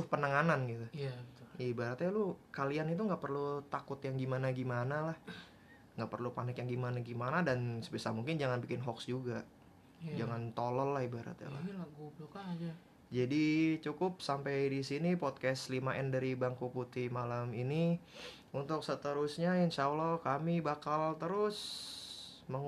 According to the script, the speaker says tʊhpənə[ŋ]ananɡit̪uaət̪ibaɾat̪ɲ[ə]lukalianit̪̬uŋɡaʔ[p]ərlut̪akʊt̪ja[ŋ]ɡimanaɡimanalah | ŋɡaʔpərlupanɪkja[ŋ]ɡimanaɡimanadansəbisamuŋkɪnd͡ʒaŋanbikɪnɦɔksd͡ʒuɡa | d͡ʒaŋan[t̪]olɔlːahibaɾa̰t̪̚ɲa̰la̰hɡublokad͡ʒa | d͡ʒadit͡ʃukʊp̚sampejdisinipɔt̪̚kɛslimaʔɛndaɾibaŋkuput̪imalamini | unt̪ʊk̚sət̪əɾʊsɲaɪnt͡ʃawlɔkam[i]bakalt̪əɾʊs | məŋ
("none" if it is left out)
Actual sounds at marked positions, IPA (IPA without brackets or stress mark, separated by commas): ŋ, a, p, ŋ, ŋ, t̪, i